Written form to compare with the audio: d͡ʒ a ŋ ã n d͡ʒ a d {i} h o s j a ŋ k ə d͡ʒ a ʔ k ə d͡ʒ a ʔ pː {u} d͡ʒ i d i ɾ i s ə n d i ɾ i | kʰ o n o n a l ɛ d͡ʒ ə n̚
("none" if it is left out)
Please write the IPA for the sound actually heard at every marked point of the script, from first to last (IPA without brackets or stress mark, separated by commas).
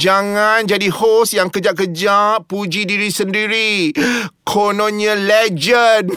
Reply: i, u